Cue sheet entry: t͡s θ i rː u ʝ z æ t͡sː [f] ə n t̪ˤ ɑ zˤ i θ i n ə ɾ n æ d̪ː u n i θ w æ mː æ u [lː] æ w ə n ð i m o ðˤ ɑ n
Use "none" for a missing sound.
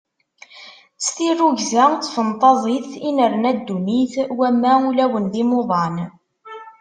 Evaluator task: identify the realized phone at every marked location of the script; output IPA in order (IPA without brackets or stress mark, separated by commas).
f, l